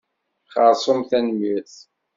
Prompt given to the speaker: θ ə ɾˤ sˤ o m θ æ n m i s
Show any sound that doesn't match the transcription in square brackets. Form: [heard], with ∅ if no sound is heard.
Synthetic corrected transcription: [χ] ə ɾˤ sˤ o m θ æ n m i [θ]